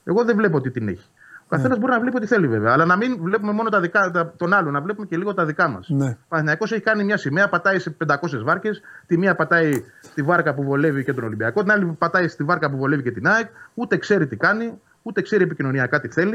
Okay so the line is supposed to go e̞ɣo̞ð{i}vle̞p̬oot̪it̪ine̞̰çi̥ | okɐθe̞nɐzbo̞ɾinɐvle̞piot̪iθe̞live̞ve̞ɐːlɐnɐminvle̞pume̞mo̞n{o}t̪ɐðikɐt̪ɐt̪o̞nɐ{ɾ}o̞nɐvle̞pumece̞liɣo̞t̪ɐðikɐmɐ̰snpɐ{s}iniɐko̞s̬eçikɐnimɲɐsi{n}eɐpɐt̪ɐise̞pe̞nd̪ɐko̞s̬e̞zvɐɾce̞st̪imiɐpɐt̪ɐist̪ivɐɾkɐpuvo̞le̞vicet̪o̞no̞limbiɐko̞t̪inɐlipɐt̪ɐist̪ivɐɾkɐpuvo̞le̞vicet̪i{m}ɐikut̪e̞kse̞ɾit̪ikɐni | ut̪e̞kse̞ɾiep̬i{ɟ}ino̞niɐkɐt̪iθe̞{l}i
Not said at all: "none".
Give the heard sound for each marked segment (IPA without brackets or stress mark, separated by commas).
e, o, l, θ, m, n, c, l